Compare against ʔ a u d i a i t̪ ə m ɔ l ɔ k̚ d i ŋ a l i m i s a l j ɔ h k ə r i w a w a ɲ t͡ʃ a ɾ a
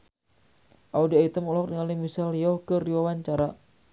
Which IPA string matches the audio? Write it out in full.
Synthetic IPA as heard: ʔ a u d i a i t̪ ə m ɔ l ɔ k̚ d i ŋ a l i m i s a l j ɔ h k ə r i w a w a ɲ t͡ʃ a ɾ a